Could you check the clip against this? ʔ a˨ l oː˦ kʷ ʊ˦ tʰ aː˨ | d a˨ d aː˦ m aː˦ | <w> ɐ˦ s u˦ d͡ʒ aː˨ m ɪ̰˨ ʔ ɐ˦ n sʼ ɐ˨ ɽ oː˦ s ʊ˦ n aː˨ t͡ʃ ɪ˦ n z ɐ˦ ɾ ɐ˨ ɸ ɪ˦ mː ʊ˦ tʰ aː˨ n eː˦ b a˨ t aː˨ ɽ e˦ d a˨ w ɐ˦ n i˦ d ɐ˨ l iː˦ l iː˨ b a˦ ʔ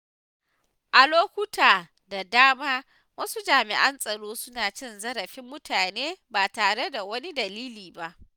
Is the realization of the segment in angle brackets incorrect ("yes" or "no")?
no